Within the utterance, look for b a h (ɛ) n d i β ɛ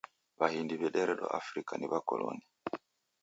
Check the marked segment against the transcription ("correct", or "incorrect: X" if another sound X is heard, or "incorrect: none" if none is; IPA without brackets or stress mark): incorrect: i